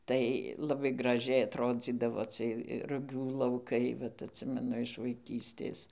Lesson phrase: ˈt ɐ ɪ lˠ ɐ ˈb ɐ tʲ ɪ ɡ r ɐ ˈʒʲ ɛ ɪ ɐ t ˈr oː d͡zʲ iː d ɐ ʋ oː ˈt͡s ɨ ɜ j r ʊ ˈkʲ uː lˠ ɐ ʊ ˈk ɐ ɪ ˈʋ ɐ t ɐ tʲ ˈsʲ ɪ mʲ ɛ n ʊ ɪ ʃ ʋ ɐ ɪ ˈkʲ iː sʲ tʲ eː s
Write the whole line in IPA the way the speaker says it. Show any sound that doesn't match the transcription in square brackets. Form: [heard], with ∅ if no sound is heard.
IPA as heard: ˈt ɐ ɪ lˠ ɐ ˈb ɐ [∅] ɪ ɡ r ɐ ˈʒʲ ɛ ɪ ɐ t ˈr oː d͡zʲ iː d ɐ ʋ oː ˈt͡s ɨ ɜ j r ʊ [ˈɡʲ] uː lˠ ɐ ʊ ˈk ɐ ɪ ˈʋ ɐ t ɐ tʲ ˈsʲ ɪ mʲ ɛ n ʊ ɪ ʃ ʋ ɐ ɪ ˈkʲ iː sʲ tʲ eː s